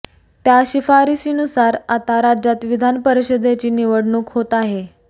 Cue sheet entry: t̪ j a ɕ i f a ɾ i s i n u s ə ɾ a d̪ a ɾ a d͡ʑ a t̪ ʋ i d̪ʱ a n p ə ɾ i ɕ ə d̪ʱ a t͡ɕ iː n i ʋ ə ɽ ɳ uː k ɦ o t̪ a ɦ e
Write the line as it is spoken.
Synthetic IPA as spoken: t̪ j a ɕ i f a ɾ i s i n u s a ɾ a t̪ a ɾ a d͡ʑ a t̪ ʋ i d̪ʱ a n p ə ɾ i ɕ ə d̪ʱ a t͡ɕ iː n i ʋ ə ɽ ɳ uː k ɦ o t̪ a ɦ e